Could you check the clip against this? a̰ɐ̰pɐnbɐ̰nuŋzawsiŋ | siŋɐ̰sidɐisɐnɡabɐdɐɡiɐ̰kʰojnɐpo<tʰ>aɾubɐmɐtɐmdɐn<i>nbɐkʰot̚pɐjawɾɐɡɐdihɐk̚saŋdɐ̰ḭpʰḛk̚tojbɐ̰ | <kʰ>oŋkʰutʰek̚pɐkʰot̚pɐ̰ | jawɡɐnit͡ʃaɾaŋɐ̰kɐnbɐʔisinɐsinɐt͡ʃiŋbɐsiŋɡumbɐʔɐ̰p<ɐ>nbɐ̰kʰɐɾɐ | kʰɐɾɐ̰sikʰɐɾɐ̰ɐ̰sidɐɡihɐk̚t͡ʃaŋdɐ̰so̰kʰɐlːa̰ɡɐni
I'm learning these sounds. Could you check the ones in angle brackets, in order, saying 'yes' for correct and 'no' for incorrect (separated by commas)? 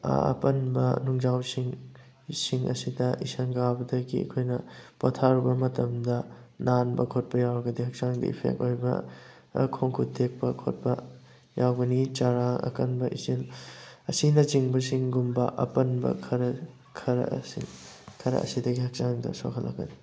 yes, no, yes, yes